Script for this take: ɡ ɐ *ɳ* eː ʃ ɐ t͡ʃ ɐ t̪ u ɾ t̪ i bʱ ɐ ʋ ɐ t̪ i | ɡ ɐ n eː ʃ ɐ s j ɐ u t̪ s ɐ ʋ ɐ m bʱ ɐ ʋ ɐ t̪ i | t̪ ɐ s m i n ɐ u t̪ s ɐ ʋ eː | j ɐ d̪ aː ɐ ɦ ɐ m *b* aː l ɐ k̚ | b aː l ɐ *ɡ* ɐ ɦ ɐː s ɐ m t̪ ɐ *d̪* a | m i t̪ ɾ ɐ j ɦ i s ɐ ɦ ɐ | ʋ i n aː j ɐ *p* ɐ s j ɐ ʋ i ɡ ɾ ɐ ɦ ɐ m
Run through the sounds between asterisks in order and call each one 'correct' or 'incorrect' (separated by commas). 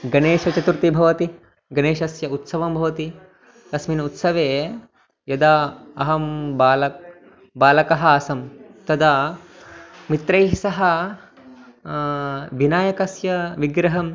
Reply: incorrect, correct, incorrect, correct, incorrect